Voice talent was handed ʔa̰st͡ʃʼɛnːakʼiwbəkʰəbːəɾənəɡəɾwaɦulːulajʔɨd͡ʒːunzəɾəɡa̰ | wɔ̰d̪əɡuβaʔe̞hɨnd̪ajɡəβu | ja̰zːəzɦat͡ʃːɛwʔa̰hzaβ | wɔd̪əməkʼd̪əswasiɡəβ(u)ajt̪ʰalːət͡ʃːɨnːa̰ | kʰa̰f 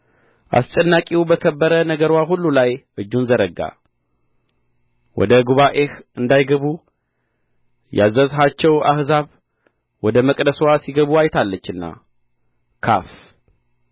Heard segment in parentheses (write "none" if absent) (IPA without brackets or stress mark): u